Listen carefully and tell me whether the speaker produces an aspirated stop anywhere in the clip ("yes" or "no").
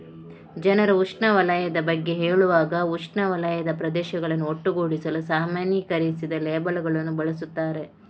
no